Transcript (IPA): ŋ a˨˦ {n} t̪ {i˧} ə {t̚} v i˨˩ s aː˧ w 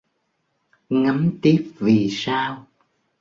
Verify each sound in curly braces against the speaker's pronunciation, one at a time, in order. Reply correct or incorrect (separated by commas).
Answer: incorrect, incorrect, incorrect